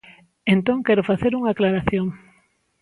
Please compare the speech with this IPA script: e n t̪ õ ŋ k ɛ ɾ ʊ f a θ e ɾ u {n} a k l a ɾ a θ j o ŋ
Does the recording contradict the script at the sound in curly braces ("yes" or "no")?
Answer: yes